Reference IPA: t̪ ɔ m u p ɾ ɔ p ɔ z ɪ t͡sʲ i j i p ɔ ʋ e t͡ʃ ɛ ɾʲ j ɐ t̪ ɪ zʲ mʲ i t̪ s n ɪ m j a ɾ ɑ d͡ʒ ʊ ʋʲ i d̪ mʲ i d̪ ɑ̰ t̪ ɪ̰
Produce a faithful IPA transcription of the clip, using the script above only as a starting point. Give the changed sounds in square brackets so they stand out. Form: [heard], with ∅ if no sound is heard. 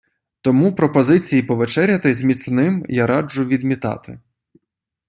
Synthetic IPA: t̪ ɔ m u p ɾ ɔ p ɔ z ɪ t͡sʲ i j i p ɔ ʋ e t͡ʃ ɛ ɾʲ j ɐ t̪ ɪ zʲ mʲ i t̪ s n ɪ m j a ɾ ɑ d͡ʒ ʊ ʋʲ i d̪ mʲ i [t̪] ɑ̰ t̪ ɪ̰